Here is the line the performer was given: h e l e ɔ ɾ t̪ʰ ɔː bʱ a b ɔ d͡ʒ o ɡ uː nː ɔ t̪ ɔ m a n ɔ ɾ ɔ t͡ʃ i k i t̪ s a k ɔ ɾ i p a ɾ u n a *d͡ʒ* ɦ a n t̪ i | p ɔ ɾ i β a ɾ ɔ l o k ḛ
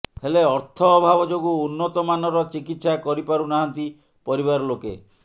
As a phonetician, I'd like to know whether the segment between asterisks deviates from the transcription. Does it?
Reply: yes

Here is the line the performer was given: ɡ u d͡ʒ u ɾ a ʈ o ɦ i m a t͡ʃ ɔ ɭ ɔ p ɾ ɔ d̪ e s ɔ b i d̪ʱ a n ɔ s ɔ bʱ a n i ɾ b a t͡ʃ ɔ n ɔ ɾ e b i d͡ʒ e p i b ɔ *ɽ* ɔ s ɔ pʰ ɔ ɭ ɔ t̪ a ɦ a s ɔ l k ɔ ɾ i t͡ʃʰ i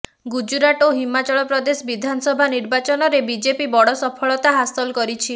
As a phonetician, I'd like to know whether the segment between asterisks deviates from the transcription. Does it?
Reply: no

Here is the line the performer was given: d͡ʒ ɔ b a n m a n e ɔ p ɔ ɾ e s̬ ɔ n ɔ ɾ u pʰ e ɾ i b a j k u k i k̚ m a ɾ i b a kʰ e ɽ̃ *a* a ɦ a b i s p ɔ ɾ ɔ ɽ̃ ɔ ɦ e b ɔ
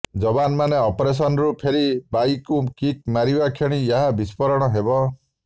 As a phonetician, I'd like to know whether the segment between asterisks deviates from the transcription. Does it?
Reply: yes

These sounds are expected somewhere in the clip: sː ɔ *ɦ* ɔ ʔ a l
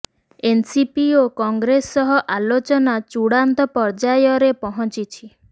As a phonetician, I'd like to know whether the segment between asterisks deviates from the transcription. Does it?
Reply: no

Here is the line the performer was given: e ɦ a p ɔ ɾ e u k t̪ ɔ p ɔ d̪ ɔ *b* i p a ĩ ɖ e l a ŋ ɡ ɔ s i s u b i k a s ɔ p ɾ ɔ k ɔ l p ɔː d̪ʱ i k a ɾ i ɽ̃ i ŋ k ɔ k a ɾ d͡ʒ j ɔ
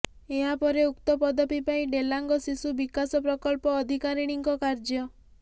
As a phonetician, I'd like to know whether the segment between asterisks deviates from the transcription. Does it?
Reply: yes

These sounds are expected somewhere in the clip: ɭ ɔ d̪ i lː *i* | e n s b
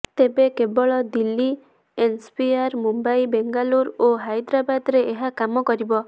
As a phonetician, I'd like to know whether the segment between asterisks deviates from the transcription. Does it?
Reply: no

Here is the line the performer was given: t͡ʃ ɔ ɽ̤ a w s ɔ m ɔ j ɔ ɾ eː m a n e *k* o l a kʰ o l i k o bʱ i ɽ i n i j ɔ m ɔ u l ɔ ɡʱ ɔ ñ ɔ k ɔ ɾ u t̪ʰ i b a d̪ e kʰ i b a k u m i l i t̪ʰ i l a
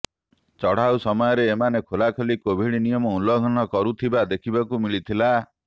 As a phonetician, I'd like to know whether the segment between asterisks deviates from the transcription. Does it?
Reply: yes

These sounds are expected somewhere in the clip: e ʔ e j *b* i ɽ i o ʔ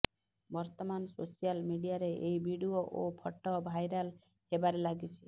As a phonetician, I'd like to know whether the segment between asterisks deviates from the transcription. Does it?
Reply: no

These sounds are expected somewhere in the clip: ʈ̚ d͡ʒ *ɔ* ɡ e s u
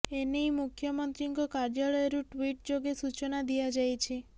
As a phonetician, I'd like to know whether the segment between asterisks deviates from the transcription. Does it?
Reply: yes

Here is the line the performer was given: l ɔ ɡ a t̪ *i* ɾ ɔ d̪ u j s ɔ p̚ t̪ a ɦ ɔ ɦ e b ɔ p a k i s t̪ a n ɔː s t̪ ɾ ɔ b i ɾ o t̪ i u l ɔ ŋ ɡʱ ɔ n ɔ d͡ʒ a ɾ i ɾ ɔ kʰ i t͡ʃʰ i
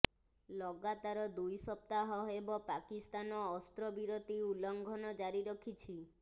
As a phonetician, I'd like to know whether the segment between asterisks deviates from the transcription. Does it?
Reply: yes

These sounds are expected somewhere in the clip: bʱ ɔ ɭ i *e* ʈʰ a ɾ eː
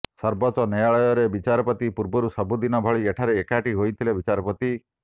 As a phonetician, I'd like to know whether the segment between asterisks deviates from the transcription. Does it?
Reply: no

